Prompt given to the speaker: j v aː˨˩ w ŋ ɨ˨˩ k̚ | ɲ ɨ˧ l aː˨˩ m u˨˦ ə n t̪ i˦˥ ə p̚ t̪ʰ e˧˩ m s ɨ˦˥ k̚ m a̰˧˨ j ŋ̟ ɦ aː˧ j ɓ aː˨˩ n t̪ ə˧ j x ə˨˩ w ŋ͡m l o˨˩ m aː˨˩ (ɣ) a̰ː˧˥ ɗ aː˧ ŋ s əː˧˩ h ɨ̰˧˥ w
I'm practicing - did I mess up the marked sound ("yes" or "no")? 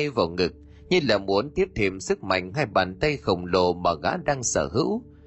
no